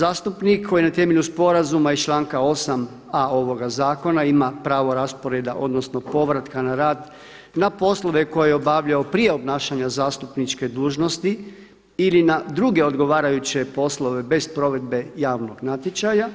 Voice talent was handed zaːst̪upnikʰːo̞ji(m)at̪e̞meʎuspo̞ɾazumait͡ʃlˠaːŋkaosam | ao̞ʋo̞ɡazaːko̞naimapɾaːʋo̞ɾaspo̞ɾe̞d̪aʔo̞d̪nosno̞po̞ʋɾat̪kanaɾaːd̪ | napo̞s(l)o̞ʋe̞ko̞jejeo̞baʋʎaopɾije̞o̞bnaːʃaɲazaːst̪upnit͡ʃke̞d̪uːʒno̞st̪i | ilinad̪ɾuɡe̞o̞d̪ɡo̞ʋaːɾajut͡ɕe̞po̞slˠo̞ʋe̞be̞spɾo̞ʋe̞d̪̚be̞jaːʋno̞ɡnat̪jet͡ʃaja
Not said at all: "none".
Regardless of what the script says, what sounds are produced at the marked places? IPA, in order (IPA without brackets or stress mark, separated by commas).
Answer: n, l